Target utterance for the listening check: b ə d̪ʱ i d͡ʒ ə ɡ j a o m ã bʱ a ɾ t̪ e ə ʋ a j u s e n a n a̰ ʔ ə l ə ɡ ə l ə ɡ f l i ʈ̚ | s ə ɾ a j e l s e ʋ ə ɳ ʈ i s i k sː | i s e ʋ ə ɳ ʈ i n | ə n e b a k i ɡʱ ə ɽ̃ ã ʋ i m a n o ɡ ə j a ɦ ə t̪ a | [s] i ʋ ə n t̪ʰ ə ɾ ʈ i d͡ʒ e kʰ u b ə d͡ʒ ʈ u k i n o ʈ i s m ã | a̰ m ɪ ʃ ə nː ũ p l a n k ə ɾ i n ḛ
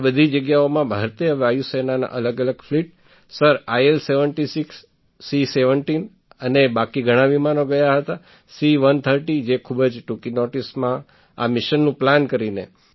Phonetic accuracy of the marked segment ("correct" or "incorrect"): correct